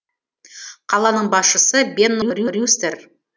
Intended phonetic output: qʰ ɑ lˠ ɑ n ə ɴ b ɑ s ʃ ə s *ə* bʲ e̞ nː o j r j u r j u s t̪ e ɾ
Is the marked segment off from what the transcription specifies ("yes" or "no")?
no